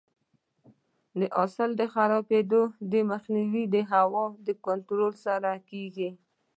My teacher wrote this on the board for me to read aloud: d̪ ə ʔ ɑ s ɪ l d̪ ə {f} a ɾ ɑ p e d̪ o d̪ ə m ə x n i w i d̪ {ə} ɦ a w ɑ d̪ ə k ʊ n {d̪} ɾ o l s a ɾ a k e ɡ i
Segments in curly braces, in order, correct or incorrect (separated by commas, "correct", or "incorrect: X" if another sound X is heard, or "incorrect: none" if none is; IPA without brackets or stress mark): incorrect: x, correct, incorrect: t̪